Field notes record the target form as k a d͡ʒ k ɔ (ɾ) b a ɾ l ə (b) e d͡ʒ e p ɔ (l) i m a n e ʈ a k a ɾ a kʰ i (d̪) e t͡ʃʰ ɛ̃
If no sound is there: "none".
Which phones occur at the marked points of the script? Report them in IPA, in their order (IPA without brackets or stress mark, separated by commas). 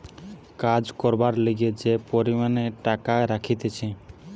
ɾ, ɡ, ɾ, t̪